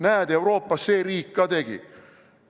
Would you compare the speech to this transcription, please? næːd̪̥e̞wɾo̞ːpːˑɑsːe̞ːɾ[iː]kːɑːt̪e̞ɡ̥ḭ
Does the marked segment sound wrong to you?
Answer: no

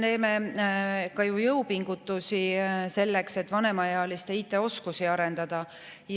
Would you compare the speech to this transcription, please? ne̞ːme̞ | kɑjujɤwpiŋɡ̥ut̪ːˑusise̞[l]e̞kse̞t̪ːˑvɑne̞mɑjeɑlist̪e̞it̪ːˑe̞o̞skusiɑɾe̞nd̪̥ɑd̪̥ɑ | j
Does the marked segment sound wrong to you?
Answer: yes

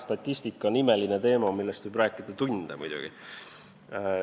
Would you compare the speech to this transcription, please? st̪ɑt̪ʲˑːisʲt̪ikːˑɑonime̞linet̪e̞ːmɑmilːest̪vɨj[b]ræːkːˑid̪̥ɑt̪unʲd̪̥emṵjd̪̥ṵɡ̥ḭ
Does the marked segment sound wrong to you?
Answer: no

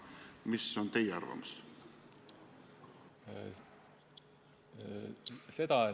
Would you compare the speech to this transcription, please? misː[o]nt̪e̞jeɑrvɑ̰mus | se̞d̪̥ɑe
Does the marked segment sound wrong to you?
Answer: no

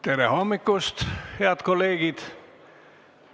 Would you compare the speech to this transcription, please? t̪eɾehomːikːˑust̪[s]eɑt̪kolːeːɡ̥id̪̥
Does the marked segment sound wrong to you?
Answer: yes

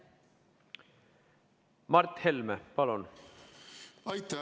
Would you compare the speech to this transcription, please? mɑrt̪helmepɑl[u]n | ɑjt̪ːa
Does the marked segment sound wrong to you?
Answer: yes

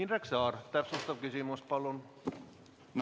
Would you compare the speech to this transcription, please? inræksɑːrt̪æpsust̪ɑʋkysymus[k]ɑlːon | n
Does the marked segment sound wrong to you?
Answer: yes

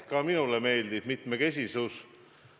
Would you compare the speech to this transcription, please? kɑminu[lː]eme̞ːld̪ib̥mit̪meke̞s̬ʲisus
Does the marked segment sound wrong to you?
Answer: yes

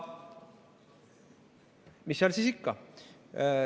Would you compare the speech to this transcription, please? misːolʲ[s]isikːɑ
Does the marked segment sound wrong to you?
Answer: no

